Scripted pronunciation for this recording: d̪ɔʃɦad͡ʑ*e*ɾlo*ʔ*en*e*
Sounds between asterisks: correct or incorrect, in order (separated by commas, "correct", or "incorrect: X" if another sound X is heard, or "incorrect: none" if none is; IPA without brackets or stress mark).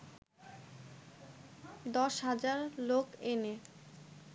incorrect: a, incorrect: k, correct